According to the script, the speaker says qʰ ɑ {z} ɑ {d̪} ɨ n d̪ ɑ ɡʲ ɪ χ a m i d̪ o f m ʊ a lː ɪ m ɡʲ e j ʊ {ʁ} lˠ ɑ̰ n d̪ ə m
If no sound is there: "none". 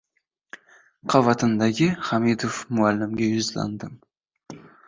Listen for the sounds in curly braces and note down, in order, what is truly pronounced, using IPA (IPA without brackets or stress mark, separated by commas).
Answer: v, t̪, z